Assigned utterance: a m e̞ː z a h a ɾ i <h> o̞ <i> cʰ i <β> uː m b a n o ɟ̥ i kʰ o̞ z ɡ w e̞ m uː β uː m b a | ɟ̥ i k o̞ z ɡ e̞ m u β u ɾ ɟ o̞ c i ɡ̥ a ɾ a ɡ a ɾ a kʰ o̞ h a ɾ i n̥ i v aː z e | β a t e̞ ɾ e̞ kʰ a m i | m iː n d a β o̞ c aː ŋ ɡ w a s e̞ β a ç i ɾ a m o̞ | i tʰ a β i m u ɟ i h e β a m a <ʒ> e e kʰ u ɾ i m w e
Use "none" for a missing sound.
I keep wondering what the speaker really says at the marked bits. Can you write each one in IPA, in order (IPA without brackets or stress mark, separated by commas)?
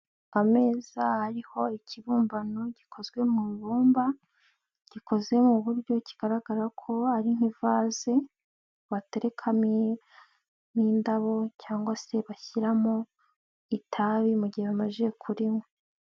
h, i, β, ʒ